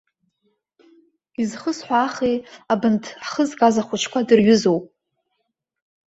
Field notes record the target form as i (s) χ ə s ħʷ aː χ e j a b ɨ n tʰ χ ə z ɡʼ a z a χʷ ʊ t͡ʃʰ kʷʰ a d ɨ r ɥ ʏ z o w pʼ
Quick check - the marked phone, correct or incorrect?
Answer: incorrect